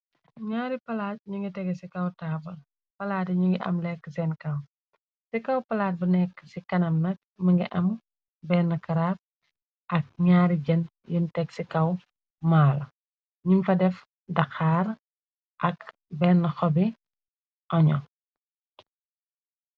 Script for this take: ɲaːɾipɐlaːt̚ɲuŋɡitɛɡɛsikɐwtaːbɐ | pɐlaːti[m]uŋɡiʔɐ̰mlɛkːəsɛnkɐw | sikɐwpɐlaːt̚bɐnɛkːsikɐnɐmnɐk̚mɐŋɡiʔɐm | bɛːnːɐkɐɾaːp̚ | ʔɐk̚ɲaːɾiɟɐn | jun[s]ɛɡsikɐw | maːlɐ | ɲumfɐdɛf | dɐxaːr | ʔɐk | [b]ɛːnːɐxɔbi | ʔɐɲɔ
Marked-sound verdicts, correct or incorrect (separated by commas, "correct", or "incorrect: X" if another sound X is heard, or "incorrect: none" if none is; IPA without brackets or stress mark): incorrect: ɲ, incorrect: t, correct